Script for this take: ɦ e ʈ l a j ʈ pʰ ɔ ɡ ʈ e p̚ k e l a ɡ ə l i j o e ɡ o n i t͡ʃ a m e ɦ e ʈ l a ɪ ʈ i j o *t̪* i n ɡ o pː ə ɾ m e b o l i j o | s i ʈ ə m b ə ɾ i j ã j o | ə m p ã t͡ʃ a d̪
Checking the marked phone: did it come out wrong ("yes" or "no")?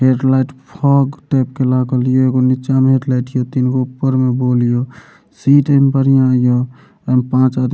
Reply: no